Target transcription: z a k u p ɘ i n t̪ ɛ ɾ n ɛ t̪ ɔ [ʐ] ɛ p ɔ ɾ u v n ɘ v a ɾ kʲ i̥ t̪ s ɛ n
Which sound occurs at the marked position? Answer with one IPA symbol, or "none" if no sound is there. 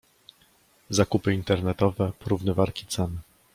v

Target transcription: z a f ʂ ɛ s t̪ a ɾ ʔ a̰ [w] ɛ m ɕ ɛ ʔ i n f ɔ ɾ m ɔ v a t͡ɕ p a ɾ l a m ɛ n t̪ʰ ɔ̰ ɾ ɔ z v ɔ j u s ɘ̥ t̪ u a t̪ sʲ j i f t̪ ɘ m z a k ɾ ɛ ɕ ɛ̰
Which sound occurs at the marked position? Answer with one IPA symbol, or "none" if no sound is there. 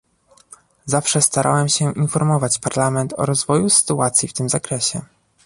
w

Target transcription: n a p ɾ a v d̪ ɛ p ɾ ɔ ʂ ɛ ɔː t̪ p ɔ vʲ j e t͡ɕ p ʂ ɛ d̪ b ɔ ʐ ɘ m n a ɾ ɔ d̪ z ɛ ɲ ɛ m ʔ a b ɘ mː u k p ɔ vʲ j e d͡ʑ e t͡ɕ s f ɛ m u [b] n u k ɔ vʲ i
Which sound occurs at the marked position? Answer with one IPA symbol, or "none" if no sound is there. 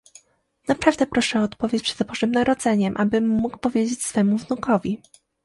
v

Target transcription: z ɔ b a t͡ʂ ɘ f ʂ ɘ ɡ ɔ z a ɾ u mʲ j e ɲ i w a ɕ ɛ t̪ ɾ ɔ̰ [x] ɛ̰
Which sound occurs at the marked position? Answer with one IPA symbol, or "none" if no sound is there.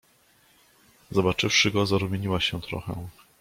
x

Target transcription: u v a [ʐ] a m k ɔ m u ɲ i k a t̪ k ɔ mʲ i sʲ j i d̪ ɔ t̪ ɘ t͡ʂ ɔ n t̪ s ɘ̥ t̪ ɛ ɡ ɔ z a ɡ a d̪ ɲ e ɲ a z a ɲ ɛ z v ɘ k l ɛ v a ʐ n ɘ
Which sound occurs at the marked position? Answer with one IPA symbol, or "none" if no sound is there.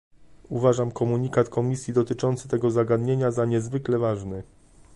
ʐ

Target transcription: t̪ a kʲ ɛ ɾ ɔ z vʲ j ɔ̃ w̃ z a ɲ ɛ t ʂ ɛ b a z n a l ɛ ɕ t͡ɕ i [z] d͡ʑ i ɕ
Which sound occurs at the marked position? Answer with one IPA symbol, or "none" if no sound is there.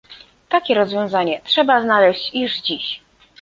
ʐ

